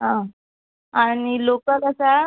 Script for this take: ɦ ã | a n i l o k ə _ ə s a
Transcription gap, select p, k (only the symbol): k